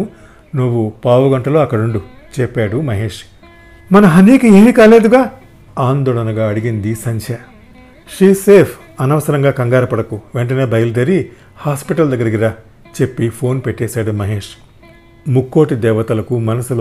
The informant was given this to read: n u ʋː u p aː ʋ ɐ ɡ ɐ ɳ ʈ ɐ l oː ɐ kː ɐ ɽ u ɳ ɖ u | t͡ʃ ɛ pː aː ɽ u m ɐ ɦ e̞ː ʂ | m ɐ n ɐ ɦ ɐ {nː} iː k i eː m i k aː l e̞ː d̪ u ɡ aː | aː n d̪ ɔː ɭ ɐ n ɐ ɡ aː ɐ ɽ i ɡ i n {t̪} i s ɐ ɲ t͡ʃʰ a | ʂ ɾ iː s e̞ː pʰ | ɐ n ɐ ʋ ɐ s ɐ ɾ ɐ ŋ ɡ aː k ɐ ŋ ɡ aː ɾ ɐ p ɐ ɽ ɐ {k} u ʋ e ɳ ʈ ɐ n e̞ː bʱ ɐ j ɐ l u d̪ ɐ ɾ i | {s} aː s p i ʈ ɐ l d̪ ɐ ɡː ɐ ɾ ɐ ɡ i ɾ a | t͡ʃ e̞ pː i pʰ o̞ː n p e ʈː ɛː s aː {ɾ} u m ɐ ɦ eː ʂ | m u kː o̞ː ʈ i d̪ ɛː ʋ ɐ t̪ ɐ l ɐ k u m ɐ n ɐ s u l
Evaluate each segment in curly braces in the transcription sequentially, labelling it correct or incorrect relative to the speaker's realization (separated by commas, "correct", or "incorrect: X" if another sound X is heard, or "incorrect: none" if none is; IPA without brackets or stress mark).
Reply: incorrect: n, incorrect: d̪, correct, incorrect: h, incorrect: ɽ